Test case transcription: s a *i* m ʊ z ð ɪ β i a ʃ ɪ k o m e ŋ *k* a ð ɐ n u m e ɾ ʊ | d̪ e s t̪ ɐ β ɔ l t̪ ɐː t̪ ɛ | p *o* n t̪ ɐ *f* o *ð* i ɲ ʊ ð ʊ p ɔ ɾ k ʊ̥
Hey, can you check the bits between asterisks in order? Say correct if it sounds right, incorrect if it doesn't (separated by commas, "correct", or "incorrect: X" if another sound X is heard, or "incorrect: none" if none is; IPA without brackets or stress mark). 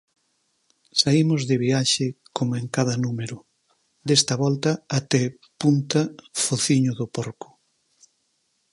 correct, correct, incorrect: u, correct, incorrect: θ